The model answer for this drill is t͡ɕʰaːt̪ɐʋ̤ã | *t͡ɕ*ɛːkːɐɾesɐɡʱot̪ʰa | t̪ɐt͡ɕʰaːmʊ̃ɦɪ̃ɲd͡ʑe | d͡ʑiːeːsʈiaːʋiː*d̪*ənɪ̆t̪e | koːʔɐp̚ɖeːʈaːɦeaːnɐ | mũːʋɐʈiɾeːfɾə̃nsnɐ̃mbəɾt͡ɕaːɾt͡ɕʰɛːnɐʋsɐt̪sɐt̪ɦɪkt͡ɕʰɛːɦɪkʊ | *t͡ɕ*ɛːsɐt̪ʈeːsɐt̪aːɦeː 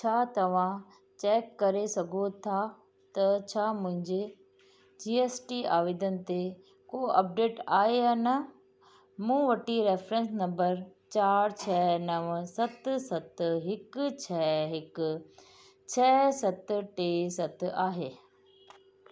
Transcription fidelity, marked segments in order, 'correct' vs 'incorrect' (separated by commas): correct, correct, incorrect